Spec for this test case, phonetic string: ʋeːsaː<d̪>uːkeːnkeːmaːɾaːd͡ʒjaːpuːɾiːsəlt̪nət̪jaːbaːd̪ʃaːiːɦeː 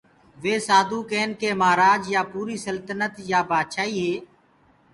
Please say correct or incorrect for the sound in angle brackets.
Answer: correct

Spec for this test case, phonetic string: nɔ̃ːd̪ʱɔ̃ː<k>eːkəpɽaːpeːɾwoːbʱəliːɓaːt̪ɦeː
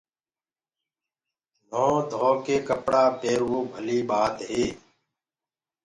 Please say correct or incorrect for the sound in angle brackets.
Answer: correct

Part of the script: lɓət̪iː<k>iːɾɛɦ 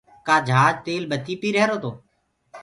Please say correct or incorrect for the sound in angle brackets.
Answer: incorrect: p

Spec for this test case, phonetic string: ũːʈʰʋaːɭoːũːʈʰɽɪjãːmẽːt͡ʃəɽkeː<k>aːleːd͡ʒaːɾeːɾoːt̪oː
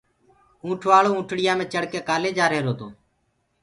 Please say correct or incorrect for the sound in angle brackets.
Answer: correct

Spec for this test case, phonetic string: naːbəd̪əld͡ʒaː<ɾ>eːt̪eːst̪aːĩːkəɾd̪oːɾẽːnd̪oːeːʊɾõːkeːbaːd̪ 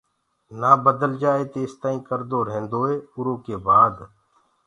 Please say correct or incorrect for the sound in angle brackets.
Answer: incorrect: none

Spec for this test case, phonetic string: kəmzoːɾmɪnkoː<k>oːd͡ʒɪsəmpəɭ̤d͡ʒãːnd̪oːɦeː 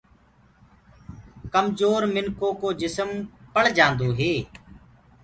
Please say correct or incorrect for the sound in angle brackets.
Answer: correct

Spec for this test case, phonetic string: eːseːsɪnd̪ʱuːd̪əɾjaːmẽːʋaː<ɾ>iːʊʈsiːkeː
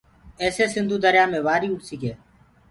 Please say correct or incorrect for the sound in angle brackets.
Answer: correct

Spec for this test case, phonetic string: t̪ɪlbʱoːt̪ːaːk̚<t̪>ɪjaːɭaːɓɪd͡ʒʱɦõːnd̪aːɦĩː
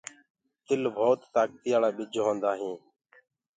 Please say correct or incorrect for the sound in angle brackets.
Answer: correct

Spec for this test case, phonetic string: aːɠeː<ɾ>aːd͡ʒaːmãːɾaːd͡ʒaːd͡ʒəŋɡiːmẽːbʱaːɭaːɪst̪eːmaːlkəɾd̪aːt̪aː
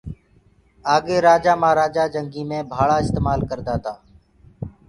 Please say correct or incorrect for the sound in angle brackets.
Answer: correct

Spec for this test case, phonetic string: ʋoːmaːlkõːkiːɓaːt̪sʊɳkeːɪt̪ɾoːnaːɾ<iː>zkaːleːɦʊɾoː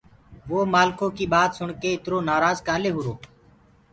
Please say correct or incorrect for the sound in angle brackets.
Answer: incorrect: aː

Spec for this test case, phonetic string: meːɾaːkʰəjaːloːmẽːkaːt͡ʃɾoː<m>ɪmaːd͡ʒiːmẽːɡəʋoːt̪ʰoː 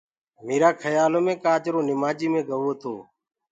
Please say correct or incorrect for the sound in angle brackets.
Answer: incorrect: n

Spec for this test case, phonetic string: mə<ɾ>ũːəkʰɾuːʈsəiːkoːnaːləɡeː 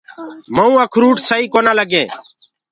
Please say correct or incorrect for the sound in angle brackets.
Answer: incorrect: none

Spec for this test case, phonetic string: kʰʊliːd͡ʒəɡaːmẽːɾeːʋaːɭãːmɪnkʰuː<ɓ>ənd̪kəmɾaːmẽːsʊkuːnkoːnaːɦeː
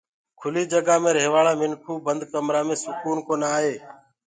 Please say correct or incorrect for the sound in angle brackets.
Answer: incorrect: b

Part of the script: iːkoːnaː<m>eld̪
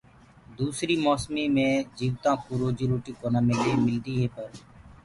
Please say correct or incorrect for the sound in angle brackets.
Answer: correct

